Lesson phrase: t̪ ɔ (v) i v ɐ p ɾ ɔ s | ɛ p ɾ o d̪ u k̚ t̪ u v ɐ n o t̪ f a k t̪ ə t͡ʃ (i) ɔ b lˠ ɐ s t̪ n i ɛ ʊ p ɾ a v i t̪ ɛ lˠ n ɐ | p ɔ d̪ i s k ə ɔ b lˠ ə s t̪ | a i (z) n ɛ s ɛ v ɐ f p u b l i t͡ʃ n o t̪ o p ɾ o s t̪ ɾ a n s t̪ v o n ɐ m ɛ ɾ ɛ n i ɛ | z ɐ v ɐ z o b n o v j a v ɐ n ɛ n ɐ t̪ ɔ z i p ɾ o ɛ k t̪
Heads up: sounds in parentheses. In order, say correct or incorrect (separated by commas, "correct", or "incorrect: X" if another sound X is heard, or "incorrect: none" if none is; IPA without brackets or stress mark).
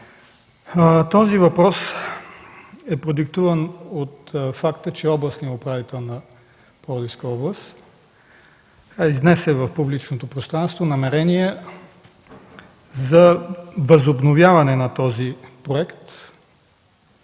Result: incorrect: z, incorrect: ɛ, correct